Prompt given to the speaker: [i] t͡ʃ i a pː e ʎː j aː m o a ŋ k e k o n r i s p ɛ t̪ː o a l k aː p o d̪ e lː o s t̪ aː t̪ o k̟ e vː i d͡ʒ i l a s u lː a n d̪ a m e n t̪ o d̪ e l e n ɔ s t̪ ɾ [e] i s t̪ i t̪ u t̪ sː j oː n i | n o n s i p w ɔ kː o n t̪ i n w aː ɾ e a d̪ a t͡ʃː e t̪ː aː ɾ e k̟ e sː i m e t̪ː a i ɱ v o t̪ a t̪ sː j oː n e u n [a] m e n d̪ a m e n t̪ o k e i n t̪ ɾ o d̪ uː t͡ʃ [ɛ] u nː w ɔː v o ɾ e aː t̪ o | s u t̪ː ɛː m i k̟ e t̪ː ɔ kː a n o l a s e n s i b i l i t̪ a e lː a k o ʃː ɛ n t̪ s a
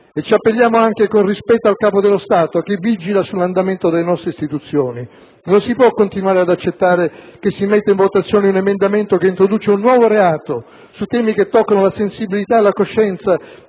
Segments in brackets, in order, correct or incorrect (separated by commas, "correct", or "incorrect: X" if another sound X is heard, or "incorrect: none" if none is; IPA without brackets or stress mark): incorrect: e, correct, incorrect: e, incorrect: e